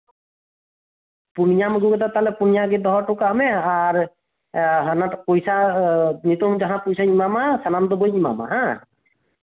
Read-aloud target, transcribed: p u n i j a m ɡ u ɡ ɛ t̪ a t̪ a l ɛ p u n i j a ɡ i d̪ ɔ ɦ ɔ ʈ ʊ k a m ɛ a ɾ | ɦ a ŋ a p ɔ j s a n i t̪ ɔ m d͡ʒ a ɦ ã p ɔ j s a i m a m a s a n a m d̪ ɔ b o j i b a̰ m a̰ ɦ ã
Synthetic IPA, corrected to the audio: p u n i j a m ɡ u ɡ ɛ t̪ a t̪ a l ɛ p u n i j a ɡ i d̪ ɔ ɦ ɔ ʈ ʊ k a m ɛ a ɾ | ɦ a n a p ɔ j s a n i t̪ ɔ m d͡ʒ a ɦ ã p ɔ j s a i m a m a s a n a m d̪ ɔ b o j i m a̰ m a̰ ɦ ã